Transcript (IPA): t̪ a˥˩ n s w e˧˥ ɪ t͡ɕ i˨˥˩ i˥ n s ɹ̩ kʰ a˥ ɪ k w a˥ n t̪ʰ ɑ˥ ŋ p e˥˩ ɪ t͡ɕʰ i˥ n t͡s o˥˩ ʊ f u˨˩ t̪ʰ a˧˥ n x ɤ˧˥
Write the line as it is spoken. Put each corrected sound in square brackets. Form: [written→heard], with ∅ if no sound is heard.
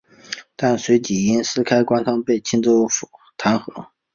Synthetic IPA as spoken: t̪ a˥˩ n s w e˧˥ ɪ t͡ɕ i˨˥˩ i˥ n s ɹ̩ kʰ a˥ ɪ k w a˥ n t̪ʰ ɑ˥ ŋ p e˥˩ ɪ t͡ɕʰ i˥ n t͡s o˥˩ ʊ f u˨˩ t̪ʰ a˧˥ n x ɤ˧˥